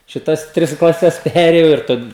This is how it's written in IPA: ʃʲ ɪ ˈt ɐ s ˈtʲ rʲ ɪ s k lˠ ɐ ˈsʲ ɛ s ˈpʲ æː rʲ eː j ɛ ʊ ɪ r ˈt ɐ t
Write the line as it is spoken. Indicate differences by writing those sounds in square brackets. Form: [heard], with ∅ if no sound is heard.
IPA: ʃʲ ɪ ˈt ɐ s ˈtʲ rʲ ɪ s k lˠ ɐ ˈsʲ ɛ s ˈpʲ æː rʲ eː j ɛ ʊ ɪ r ˈt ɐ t